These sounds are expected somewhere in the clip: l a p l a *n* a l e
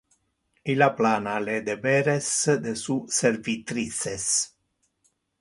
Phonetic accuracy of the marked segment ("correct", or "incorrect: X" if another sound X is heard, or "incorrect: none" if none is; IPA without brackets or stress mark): correct